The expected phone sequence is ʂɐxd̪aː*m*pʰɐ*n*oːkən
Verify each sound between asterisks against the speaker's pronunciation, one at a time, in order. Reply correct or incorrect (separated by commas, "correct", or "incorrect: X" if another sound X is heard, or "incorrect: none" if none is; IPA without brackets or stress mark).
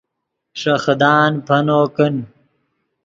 incorrect: n, correct